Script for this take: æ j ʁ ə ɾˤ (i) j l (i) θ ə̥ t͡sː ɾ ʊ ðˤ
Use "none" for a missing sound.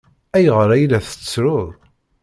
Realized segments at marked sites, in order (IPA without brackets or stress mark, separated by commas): æ, æ